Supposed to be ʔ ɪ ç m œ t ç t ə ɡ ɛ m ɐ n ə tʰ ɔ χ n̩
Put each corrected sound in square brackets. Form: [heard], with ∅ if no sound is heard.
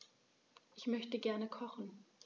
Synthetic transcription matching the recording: ʔ ɪ ç m œ [∅] ç t ə ɡ ɛ [∅] ɐ n ə [kʰ] ɔ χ n̩